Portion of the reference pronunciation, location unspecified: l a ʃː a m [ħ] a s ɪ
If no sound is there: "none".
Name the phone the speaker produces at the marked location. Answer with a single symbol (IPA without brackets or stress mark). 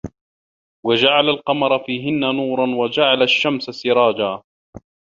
s